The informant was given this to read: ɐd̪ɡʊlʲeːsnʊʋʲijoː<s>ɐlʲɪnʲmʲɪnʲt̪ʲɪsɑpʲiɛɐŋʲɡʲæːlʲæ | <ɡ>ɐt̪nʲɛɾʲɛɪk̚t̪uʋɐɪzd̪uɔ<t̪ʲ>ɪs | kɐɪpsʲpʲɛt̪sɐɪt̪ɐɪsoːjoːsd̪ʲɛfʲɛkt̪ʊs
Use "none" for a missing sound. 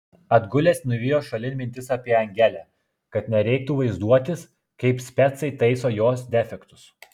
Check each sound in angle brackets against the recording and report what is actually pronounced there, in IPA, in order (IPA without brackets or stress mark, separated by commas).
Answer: ʃ, k, t̪ʲ